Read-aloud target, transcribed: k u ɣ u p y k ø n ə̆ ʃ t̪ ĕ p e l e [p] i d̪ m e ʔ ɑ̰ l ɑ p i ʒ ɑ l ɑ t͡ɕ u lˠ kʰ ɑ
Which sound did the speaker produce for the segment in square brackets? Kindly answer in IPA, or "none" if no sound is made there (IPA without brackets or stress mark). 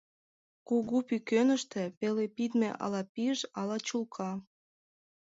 p